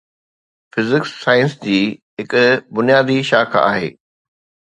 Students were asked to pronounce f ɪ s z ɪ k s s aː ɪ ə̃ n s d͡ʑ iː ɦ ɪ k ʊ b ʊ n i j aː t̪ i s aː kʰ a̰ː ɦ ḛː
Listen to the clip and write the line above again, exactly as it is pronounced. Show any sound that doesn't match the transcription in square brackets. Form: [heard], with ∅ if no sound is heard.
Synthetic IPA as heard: f ɪ [∅] z ɪ k s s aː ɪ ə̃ n s d͡ʑ iː ɦ ɪ k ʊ b ʊ n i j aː [d̪] i [ʃ] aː kʰ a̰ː ɦ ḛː